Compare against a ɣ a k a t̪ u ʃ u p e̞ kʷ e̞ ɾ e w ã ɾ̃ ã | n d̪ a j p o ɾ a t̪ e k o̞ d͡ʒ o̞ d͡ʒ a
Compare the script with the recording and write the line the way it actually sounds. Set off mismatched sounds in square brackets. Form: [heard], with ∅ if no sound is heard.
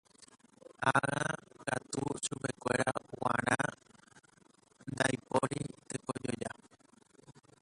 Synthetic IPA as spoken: a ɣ a k a t̪ u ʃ u p e̞ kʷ e̞ ɾ [a] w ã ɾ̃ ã | n d̪ a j p o ɾ [i] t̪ e k o̞ d͡ʒ o̞ d͡ʒ a